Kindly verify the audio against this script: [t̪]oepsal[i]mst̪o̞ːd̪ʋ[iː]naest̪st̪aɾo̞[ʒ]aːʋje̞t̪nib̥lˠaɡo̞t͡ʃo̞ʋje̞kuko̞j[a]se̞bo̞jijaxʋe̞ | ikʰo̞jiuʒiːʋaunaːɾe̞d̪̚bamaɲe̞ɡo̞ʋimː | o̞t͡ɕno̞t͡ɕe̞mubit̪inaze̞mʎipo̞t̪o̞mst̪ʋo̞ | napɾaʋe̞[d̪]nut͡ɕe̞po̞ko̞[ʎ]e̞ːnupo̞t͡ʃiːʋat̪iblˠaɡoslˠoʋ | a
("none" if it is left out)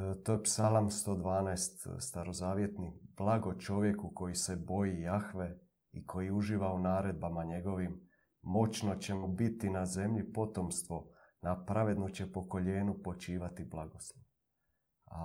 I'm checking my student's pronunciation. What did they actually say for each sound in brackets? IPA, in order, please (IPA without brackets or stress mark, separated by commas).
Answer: t̪, a, aː, z, i, d̪, ʎ